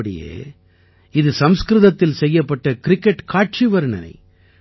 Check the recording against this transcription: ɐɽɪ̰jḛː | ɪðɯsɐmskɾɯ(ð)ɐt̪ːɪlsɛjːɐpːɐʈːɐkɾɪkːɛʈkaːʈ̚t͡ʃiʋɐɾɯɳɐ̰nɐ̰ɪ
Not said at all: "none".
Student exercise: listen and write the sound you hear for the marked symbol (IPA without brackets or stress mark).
ð